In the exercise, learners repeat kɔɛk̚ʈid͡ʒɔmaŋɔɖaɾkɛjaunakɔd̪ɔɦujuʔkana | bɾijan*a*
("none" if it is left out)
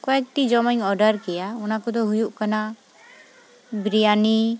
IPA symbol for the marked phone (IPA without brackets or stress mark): i